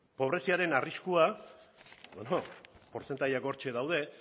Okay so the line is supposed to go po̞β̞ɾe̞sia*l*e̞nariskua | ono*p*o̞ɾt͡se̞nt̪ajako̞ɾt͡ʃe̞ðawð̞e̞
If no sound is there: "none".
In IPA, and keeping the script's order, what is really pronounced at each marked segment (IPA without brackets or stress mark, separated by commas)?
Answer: ɾ, p